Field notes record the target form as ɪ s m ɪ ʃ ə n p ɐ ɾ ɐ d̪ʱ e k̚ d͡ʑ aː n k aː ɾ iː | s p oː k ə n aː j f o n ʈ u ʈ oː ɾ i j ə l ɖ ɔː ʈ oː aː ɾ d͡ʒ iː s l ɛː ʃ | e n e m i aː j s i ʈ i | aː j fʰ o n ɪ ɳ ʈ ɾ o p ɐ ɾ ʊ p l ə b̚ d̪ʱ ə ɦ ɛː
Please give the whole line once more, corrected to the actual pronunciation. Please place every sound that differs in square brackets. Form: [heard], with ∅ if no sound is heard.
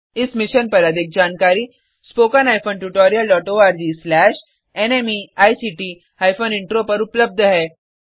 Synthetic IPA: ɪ s m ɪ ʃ ə n p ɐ ɾ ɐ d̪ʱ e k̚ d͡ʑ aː n k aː ɾ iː | s p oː k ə n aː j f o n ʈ u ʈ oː ɾ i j ə l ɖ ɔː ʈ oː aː ɾ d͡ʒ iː s l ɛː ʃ | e n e m i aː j s i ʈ i | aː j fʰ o n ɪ ɳ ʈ ɾ o p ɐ ɾ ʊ p l ə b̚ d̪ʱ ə ɦ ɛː